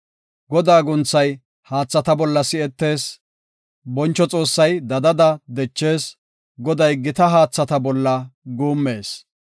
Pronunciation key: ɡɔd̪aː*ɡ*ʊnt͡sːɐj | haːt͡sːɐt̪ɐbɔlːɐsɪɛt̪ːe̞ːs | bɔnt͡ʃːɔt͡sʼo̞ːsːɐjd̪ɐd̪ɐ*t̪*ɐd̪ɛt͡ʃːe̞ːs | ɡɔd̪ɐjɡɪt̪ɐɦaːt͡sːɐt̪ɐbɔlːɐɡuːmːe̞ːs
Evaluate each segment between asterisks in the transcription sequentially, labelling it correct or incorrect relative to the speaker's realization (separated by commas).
correct, incorrect